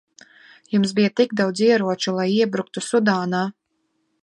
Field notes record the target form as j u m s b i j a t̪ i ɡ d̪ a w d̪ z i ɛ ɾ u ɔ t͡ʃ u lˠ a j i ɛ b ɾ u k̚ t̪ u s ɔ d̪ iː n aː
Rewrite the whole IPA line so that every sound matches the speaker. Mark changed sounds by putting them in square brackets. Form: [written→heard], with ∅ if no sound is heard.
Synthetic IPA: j u m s b i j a t̪ i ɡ d̪ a w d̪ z i ɛ ɾ u ɔ t͡ʃ u lˠ a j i ɛ b ɾ u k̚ t̪ u s [ɔ→u] d̪ [iː→aː] n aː